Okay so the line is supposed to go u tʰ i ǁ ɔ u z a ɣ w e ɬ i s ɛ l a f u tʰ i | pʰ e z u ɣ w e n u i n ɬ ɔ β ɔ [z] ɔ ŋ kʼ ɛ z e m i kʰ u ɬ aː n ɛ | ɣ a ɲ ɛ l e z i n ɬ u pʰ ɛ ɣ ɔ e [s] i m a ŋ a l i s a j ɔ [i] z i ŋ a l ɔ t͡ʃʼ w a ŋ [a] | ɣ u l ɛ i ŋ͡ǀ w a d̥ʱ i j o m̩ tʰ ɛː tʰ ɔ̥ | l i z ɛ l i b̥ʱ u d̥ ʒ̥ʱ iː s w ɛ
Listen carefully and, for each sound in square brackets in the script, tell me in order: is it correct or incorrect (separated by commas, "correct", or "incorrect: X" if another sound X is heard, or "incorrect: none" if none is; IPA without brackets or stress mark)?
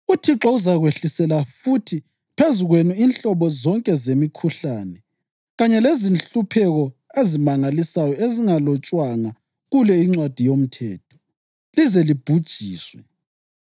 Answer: correct, incorrect: z, incorrect: e, correct